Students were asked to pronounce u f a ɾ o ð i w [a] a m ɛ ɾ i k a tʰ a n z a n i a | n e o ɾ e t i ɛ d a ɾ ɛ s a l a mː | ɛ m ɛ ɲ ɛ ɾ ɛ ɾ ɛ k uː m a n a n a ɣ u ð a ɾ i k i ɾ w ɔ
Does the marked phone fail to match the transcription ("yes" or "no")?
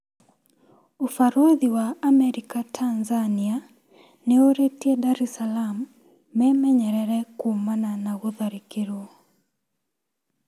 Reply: no